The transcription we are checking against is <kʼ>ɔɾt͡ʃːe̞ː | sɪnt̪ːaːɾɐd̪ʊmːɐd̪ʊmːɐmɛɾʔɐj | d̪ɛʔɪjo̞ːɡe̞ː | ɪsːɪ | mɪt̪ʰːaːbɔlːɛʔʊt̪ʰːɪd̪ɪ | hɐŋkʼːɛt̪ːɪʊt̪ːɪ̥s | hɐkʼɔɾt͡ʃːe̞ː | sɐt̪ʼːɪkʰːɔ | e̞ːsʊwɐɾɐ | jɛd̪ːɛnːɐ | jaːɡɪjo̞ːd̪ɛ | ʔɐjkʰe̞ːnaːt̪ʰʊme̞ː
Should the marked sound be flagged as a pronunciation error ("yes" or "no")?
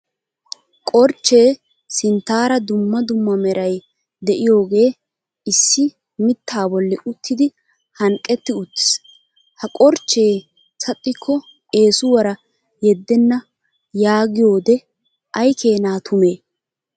no